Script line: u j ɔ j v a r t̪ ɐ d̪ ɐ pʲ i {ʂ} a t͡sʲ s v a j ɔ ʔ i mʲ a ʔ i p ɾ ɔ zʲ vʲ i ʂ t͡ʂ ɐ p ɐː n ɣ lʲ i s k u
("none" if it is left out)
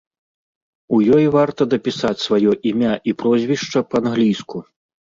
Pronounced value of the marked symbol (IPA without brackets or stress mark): s